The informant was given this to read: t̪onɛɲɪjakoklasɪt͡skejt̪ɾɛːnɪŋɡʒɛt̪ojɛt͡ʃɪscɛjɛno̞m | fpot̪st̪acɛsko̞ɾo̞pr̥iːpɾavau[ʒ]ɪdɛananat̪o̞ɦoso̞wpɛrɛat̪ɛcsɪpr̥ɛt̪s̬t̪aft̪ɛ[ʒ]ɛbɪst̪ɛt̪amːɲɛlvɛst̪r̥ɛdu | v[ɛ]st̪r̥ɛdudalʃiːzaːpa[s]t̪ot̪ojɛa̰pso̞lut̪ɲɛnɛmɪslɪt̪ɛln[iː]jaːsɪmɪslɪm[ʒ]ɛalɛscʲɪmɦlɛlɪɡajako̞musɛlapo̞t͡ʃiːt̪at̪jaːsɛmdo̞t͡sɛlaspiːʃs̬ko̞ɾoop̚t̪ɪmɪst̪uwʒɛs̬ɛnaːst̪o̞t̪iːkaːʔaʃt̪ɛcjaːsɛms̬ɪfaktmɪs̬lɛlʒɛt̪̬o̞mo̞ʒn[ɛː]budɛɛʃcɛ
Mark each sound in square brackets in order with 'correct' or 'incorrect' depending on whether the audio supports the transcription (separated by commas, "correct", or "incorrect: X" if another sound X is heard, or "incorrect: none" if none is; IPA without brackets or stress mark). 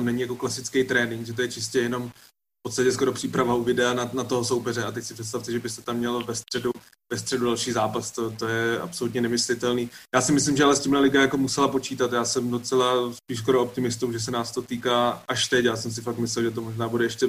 incorrect: v, correct, correct, correct, correct, correct, incorrect: aː